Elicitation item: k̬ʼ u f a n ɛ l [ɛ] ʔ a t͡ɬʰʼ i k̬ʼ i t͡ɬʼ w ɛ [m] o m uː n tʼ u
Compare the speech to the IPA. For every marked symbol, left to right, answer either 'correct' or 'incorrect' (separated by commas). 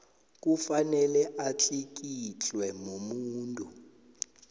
correct, correct